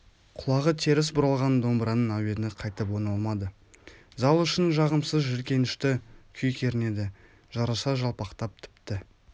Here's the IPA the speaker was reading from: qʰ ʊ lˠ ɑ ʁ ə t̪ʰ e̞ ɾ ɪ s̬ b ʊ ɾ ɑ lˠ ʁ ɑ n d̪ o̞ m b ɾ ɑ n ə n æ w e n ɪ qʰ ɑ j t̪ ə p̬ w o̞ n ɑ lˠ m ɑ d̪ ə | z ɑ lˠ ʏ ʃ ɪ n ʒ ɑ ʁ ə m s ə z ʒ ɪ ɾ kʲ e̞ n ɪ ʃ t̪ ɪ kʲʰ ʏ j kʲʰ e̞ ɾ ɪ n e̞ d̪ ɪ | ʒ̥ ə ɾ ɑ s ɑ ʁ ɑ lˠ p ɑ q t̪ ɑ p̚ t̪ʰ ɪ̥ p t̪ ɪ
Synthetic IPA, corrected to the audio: qʰ ʊ lˠ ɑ ʁ ə t̪ʰ e̞ ɾ ɪ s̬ b ʊ ɾ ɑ lˠ ʁ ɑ n d̪ o̞ m b ɾ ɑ n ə n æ w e n ɪ qʰ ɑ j t̪ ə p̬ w o̞ n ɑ lˠ m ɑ d̪ ə | z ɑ lˠ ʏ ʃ ɪ n ʒ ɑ ʁ ə m s ə z ʒ ɪ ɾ kʲ e̞ n ɪ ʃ t̪ ɪ kʲʰ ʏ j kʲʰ e̞ ɾ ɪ n e̞ d̪ ɪ | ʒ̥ ɑ ɾ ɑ s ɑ ʒ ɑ lˠ p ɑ q t̪ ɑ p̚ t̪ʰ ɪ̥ p t̪ ɪ